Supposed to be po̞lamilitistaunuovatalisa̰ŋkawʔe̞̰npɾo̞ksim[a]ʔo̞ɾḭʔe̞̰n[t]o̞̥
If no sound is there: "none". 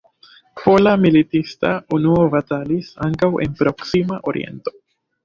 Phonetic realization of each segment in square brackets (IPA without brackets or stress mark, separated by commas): a, t